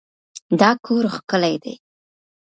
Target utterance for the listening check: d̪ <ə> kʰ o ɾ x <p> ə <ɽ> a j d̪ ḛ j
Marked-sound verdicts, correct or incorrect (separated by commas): incorrect, incorrect, incorrect